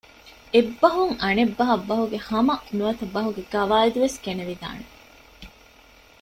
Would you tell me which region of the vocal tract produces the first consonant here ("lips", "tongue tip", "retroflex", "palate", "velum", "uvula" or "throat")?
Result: lips